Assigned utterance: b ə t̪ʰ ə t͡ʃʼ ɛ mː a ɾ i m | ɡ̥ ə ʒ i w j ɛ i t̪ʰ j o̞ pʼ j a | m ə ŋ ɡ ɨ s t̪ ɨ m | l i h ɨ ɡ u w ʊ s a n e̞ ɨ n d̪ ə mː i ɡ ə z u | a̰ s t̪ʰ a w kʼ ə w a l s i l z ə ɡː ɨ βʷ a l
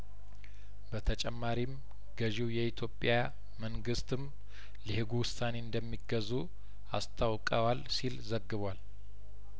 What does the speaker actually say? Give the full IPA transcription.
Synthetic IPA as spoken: b ə t̪ʰ ə t͡ʃʼ ɛ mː a ɾ i m | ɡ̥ ə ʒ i w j ɛ i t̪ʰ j o̞ pʼ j a | m ə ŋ ɡ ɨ s t̪ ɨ m | l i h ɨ ɡ u w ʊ s a n e̞ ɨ n d̪ ə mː i ɡ ə z u | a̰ s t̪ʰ a w kʼ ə w a l s i l z ə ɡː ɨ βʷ a l